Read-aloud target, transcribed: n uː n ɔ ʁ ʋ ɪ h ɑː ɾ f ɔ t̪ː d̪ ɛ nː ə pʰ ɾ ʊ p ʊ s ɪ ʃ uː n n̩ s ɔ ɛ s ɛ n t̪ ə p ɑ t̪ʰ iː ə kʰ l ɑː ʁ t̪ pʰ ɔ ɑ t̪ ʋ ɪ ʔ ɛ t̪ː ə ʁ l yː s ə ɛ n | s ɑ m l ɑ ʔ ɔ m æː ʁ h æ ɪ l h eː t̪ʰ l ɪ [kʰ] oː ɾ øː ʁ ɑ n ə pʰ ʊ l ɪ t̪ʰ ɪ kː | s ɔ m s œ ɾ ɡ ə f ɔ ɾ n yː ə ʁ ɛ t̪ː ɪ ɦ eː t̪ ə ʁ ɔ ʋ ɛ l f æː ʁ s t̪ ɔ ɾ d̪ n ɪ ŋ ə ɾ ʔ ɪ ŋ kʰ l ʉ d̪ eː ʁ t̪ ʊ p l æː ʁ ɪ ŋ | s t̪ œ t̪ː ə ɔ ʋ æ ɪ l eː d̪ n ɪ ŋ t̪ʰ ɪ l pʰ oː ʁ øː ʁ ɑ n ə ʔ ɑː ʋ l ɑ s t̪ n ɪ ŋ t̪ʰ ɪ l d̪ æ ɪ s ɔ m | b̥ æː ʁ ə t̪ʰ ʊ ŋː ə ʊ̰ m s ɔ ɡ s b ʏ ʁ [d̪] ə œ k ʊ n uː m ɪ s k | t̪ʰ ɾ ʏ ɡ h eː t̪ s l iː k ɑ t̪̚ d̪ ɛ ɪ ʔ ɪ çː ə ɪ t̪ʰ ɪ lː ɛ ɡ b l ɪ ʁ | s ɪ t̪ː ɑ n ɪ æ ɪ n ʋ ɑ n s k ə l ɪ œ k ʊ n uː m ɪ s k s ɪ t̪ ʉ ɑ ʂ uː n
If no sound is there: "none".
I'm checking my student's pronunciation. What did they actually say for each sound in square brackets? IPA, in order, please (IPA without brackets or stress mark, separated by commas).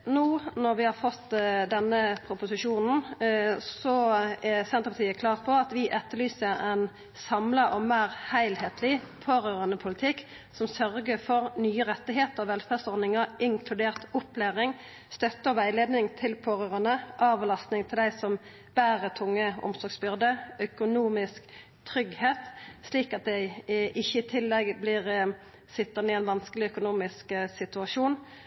pʰ, d̪